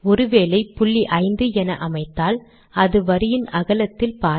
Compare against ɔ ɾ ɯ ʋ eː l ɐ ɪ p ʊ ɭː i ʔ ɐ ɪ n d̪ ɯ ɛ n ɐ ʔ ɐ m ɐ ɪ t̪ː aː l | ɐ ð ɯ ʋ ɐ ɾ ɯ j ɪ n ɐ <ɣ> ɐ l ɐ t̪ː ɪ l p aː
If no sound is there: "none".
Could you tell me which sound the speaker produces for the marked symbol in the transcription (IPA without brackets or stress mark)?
ɣ